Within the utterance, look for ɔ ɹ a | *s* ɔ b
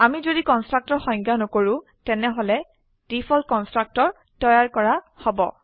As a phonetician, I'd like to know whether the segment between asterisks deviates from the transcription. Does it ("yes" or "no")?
yes